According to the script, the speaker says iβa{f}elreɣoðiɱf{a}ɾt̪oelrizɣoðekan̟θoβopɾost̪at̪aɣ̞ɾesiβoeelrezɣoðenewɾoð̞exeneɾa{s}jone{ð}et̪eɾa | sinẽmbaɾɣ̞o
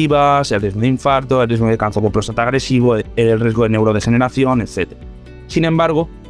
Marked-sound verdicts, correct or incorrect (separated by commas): incorrect, correct, incorrect, incorrect